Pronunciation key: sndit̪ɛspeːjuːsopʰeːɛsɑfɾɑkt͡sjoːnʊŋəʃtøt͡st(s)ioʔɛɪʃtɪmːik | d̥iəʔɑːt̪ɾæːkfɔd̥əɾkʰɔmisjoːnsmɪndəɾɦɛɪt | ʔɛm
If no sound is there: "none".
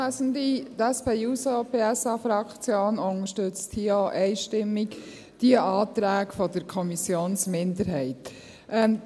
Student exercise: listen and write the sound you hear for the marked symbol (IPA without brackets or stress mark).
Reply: h